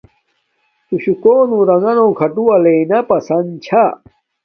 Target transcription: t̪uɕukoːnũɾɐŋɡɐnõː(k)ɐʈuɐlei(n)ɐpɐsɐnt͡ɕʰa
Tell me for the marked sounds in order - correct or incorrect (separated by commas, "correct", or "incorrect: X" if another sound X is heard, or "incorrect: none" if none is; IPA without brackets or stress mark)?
incorrect: kʰ, correct